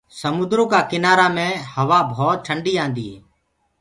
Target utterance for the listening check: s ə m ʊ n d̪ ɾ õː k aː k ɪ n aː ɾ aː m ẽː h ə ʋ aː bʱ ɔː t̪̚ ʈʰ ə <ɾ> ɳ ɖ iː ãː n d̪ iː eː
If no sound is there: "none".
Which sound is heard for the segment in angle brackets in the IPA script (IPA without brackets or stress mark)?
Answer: none